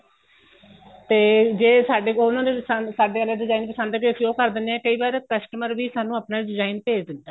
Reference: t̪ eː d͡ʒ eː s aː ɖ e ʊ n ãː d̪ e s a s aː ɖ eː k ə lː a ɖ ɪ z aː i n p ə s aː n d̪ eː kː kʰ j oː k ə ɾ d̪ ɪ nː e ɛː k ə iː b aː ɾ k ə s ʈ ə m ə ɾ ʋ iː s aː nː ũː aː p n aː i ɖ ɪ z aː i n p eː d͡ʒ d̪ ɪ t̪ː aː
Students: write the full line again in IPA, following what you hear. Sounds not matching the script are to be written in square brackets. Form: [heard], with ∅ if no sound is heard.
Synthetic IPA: t̪ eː d͡ʒ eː s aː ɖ e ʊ n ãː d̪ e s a s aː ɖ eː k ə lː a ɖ ɪ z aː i n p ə s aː n d̪ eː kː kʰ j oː k ə ɾ d̪ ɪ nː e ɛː k ə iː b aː ɾ k ə s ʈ ə m ə ɾ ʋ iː s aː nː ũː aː p n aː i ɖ ɪ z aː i n p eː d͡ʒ d̪ ɪ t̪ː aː